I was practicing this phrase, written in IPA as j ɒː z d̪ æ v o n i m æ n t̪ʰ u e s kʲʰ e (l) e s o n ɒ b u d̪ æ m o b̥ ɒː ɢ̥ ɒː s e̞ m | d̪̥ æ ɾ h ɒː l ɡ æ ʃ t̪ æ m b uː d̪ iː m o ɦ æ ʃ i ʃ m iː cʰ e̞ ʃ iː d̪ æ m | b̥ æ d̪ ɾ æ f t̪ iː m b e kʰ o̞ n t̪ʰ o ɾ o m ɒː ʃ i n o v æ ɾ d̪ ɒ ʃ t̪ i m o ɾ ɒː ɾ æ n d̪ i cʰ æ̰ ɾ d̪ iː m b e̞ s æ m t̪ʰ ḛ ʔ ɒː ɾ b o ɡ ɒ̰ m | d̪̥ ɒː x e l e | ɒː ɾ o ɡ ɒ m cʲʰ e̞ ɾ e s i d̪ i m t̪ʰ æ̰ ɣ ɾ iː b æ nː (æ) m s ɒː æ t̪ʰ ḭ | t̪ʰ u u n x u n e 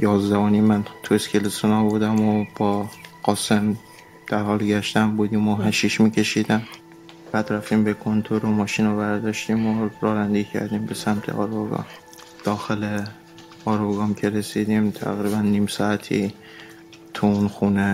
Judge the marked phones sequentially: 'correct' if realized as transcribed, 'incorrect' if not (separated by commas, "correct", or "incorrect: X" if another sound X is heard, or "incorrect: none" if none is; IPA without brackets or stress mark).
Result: correct, incorrect: i